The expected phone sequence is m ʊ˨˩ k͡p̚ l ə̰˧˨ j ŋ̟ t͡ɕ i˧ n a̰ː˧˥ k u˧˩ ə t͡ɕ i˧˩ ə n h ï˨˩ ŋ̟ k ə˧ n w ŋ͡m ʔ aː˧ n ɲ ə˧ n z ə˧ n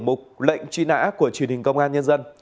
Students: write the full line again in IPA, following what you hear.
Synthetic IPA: m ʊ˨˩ k͡p̚ l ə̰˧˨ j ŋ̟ t͡ɕ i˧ n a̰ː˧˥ k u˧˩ ə t͡ɕ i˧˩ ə n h ï˨˩ ŋ̟ k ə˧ w ŋ͡m ʔ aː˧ n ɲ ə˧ n z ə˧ n